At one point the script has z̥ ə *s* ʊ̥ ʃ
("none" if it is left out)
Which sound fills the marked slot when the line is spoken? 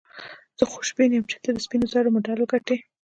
x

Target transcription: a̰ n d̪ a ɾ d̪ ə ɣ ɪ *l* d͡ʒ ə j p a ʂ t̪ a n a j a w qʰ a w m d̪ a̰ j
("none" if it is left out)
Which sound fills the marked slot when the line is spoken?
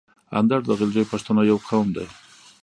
l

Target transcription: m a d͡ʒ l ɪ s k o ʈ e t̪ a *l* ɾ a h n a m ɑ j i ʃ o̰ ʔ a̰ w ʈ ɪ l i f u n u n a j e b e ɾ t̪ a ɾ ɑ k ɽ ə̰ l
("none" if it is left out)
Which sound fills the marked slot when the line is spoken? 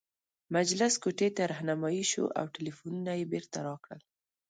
none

